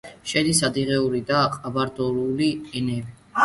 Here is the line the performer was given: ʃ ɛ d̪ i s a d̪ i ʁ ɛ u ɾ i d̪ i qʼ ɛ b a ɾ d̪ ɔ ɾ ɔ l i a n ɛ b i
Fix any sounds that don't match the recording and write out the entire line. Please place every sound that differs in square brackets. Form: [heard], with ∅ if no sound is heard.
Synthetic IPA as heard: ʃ ɛ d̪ i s a d̪ i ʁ ɛ u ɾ i d̪ [a] qʼ [a] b a ɾ d̪ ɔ ɾ [u] l i [ɛ] n ɛ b i